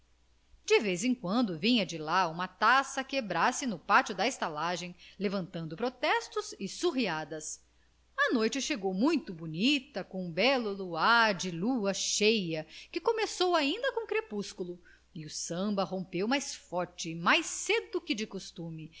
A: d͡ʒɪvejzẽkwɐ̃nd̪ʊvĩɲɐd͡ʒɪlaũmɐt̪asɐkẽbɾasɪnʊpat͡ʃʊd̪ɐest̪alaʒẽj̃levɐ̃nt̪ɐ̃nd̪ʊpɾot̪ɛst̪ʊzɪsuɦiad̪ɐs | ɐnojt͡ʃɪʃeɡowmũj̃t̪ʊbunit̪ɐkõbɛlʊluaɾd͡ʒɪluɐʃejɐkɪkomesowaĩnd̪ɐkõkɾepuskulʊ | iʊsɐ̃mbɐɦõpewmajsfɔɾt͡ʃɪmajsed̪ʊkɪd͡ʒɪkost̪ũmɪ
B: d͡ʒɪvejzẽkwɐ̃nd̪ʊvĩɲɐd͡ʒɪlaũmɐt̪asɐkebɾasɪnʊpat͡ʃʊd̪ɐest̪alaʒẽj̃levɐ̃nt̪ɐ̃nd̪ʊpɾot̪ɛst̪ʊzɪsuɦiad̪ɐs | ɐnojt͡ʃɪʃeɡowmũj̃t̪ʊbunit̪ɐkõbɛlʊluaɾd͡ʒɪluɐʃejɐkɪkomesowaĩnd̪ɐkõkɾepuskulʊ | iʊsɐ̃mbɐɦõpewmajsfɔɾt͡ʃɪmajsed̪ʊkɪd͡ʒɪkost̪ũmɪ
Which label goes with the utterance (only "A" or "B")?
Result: B